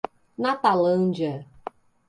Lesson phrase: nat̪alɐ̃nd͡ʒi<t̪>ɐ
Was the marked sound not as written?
yes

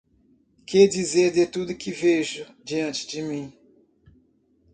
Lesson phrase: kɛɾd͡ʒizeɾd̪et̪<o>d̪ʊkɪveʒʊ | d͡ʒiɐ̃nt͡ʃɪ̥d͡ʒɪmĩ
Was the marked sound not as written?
yes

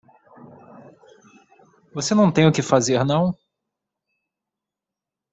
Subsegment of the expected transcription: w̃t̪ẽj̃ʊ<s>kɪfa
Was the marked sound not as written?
yes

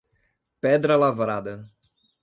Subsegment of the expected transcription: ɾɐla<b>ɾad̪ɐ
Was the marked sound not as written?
yes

